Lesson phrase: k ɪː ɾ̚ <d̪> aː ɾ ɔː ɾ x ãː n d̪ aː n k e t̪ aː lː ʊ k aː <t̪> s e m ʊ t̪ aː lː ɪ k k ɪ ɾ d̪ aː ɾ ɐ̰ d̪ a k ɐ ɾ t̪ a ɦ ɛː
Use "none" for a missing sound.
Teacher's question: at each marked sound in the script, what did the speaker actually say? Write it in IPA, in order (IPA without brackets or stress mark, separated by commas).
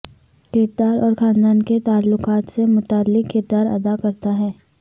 d̪, t̪